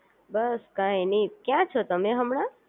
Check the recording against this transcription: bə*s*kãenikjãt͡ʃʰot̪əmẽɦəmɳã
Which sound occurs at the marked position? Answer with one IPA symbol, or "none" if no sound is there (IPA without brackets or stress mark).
s